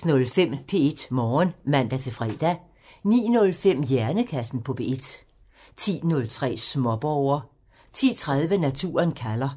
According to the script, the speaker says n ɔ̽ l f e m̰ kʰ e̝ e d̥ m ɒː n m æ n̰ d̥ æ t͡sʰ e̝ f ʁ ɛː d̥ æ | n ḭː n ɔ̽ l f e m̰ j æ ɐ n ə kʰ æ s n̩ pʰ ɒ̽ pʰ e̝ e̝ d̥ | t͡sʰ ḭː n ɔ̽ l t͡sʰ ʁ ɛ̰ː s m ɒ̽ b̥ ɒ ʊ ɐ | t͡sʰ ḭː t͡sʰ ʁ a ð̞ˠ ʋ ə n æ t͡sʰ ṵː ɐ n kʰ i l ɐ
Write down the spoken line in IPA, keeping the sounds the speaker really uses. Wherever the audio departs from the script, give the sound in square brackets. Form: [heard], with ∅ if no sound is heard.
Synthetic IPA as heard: n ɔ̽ l f e m̰ [pʰ] e̝ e d̥ m ɒː n m æ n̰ d̥ æ t͡sʰ e̝ f ʁ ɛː d̥ æ | n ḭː n ɔ̽ l f e m̰ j æ ɐ n ə kʰ æ s n̩ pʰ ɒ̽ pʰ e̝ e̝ d̥ | t͡sʰ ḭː n ɔ̽ l t͡sʰ ʁ ɛ̰ː s m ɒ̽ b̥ ɒ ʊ ɐ | t͡sʰ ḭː t͡sʰ ʁ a ð̞ˠ ʋ ə n æ t͡sʰ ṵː ɐ n kʰ [æ] l ɐ